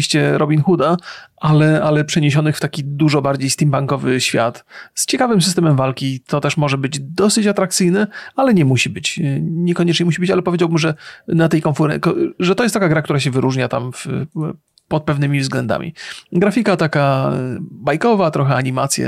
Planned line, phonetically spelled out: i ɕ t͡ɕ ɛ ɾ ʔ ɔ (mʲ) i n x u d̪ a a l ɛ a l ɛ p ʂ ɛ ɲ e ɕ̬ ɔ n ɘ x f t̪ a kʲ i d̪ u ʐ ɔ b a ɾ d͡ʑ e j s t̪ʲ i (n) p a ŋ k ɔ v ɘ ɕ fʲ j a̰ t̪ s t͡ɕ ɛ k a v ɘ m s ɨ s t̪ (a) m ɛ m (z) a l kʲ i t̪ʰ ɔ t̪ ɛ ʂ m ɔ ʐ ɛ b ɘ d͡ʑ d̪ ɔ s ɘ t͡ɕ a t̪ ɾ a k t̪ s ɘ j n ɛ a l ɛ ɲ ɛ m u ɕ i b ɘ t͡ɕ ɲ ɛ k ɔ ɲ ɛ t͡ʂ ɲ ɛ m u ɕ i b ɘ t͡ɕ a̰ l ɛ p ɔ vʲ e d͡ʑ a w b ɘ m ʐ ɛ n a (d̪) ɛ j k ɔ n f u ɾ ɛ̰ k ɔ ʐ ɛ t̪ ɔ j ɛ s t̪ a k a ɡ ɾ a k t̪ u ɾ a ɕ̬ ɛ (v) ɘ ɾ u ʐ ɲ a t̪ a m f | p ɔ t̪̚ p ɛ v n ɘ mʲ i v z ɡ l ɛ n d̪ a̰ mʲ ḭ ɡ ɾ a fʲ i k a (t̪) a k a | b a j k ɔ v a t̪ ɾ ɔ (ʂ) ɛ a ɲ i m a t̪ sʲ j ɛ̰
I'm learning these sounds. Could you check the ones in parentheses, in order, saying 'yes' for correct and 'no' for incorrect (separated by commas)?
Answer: no, no, no, no, no, yes, yes, no